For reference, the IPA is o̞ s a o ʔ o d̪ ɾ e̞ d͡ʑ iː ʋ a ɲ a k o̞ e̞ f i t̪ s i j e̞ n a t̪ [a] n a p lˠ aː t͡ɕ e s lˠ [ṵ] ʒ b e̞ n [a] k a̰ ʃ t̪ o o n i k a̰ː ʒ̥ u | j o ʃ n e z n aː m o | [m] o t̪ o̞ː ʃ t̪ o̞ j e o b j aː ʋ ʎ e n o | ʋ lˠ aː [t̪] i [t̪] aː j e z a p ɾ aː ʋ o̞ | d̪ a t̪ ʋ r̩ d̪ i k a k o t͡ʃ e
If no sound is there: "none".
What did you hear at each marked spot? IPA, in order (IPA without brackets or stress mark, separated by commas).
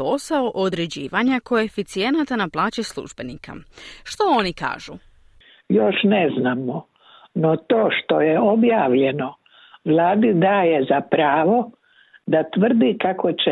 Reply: a, ṵ, i, n, d̪, d̪